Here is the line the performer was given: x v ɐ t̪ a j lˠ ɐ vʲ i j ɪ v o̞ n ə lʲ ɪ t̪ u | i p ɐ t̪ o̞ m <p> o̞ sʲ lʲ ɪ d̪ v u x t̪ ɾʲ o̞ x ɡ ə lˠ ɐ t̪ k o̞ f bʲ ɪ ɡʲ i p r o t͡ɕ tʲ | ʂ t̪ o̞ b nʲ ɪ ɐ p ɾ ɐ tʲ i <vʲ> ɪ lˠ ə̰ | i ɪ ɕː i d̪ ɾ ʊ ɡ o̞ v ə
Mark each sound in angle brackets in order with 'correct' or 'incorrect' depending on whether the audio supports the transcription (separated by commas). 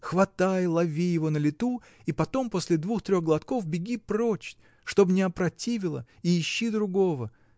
correct, correct